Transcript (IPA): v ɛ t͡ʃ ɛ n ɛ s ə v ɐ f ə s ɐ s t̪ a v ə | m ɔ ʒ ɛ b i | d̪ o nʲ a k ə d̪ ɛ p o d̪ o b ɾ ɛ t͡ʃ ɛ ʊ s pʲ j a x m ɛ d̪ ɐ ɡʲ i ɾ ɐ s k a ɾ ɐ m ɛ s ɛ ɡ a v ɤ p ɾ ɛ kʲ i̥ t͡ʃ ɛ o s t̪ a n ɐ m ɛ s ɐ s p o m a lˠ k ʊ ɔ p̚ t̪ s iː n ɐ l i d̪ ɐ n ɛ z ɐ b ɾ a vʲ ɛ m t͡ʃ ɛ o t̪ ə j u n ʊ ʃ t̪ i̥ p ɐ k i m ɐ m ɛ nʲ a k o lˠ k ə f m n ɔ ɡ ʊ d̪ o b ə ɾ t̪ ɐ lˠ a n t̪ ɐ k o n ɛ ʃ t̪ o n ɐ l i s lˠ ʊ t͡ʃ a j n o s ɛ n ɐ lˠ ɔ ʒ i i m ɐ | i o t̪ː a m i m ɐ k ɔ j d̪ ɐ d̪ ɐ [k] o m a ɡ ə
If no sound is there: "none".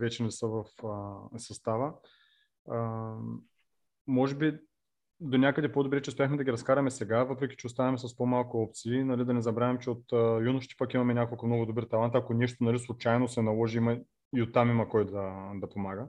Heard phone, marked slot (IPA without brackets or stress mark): p